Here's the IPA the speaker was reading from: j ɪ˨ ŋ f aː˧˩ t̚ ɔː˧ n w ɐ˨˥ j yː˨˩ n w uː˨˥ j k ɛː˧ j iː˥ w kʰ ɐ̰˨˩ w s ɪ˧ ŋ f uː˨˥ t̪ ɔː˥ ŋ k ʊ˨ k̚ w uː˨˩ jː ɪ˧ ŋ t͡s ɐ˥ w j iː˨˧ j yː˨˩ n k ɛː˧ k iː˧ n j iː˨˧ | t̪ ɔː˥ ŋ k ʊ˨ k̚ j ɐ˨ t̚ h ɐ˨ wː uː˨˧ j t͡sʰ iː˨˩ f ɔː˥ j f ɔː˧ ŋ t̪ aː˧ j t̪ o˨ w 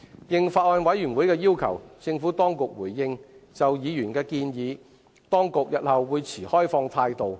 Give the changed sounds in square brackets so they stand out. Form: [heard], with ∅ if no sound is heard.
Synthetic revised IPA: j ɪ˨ ŋ f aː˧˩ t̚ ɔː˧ n w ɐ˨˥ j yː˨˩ n w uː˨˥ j k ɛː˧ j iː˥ w kʰ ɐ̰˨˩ w [t͡s] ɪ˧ ŋ f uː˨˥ t̪ ɔː˥ ŋ k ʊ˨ k̚ w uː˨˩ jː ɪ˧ ŋ t͡s [ɐ˨] w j iː˨˧ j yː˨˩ n k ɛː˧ k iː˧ n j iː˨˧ | t̪ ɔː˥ ŋ k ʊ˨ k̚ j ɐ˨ t̚ h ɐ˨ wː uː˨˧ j t͡sʰ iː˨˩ [h] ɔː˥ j f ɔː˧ ŋ [t̪ʰ] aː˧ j t̪ o˨ w